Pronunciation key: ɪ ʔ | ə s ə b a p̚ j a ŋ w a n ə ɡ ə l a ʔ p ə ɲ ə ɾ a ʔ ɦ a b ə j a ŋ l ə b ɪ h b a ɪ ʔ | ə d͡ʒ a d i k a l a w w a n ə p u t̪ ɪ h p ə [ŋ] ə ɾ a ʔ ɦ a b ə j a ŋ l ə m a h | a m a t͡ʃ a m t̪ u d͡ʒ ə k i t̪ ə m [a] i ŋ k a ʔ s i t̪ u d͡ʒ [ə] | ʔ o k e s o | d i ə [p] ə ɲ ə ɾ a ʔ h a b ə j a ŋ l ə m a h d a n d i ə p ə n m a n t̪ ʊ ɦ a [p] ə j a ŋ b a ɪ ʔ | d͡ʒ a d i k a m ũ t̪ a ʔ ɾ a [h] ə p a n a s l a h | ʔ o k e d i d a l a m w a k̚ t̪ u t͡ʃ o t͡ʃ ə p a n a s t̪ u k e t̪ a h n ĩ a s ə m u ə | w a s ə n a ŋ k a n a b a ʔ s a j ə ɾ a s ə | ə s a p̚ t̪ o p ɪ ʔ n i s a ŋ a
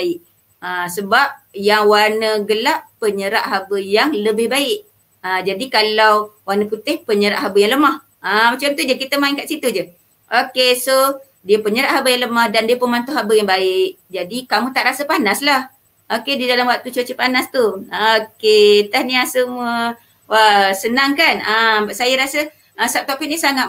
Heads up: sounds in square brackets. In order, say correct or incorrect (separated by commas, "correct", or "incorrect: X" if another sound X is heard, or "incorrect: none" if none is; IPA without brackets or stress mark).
incorrect: ɲ, correct, correct, correct, incorrect: b, incorrect: s